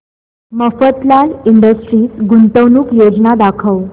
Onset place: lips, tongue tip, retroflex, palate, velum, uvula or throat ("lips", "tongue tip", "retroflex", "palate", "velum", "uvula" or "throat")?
lips